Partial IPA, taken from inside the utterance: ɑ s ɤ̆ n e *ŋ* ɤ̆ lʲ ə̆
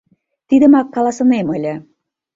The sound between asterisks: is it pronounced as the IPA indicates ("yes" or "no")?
no